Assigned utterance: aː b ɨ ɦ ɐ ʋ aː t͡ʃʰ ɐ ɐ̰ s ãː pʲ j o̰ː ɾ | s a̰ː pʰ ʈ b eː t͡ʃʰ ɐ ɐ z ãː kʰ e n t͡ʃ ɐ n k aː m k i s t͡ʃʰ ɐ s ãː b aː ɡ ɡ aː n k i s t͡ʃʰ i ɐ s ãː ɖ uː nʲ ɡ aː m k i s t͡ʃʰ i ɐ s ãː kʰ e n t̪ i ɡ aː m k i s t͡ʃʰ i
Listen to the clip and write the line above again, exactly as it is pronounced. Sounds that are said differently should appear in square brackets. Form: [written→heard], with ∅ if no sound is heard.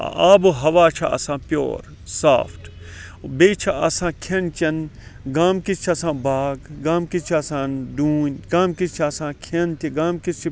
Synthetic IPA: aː b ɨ ɦ ɐ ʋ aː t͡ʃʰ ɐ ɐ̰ s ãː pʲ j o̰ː ɾ | s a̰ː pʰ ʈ b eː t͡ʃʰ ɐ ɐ [z→s] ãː kʰ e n t͡ʃ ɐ n [k→ɡ] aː m k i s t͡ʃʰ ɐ s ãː b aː ɡ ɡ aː [n→m] k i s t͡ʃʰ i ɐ s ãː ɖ uː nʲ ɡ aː m k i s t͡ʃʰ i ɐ s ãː kʰ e n t̪ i ɡ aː m k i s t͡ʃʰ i